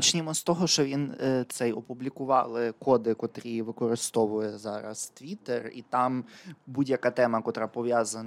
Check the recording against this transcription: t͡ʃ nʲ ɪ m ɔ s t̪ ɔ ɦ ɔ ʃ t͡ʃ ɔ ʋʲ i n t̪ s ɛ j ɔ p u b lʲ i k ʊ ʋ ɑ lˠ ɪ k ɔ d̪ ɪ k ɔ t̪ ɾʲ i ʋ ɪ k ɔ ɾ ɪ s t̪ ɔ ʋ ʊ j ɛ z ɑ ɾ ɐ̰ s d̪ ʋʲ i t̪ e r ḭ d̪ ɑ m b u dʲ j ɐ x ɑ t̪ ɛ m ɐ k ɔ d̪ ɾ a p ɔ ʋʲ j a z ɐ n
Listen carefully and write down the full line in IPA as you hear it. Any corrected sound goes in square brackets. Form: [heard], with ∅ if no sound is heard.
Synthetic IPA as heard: t͡ʃ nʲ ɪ m ɔ s t̪ ɔ ɦ ɔ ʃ t͡ʃ ɔ ʋʲ i n t̪ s ɛ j ɔ p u b lʲ i k ʊ ʋ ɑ lˠ ɪ k ɔ d̪ ɪ k ɔ t̪ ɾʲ i ʋ ɪ k ɔ ɾ ɪ s t̪ ɔ ʋ ʊ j ɛ z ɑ ɾ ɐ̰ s [t̪] ʋʲ i t̪ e r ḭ [t̪] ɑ m b u dʲ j ɐ [k] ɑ t̪ ɛ m ɐ k ɔ [t̪] ɾ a p ɔ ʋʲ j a z ɐ n